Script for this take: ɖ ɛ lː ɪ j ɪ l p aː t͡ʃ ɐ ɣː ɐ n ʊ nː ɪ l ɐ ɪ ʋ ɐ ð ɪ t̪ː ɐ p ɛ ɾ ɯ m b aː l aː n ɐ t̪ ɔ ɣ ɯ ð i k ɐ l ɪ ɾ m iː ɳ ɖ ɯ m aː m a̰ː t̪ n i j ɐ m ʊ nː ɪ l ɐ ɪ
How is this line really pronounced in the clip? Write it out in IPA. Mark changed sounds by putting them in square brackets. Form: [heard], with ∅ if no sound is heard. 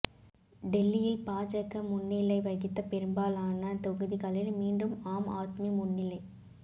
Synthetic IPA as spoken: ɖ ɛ lː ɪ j ɪ l p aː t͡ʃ ɐ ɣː ɐ [m] ʊ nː ɪ l ɐ ɪ ʋ ɐ [ɣ] ɪ t̪ː ɐ p ɛ ɾ ɯ m b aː l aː n ɐ t̪ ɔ ɣ ɯ ð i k ɐ l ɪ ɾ m iː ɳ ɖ ɯ m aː m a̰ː t̪ [m] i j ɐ m ʊ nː ɪ l ɐ ɪ